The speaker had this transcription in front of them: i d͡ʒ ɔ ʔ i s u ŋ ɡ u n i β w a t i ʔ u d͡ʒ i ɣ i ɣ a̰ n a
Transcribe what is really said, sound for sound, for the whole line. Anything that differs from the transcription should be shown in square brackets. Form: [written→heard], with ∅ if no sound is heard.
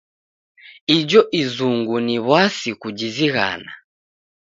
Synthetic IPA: i d͡ʒ ɔ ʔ i [s→z] u ŋ ɡ u n i β w a [t→s] i [ʔ→k] u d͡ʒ i [ɣ→z] i ɣ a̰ n a